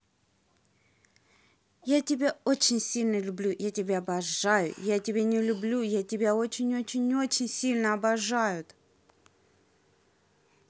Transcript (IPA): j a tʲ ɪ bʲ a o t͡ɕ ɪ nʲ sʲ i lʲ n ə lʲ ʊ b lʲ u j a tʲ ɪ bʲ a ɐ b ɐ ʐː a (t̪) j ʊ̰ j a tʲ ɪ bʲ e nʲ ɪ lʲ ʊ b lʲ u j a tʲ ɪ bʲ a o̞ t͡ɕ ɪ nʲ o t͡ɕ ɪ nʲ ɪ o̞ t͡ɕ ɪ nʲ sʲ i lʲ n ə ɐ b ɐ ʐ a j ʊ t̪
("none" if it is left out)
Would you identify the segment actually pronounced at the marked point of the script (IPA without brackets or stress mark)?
none